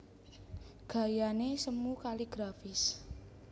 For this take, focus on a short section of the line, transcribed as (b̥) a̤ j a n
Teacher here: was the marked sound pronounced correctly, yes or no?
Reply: no